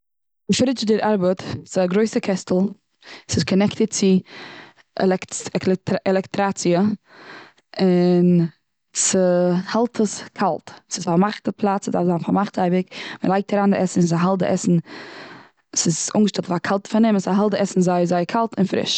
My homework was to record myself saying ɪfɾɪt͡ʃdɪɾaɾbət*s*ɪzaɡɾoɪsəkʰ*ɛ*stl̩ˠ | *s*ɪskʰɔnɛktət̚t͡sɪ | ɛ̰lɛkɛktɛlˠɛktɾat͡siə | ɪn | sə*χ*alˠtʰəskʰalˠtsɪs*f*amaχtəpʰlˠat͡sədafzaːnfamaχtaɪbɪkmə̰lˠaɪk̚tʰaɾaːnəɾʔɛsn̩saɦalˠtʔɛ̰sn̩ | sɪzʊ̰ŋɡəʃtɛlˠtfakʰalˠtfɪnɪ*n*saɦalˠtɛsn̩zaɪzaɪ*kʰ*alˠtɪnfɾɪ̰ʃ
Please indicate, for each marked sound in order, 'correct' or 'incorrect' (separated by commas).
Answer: correct, correct, correct, incorrect, correct, incorrect, correct